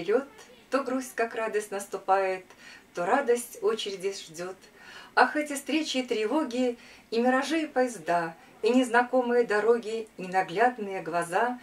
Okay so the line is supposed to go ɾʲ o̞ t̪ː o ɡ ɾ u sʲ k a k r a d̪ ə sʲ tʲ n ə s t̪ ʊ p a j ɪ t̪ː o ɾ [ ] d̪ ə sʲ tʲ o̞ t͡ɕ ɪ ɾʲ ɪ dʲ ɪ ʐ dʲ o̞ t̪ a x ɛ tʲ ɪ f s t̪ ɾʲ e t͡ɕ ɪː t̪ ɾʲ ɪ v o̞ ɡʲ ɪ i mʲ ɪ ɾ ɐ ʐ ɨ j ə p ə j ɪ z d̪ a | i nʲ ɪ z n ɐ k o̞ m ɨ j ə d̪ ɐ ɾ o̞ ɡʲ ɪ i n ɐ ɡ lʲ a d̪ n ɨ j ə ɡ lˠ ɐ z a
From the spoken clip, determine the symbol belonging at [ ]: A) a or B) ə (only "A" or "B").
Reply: A